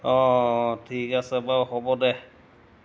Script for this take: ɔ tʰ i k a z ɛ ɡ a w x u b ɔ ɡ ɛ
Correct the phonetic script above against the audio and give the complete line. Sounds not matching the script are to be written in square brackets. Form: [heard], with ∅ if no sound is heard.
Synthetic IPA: ɔ tʰ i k a [s] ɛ [b] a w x [ɔ] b ɔ [d] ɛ